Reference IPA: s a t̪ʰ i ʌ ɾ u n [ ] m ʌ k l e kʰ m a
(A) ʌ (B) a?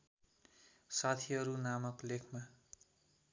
B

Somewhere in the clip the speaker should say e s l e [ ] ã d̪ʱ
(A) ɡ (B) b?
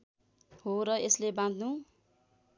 B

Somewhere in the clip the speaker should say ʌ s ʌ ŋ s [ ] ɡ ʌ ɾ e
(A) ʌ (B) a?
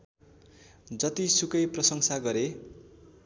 B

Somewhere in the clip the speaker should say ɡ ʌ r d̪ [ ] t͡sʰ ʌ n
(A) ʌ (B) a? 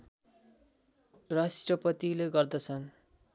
A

